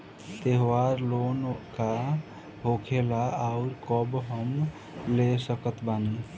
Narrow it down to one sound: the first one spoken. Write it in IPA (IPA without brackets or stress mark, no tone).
t̪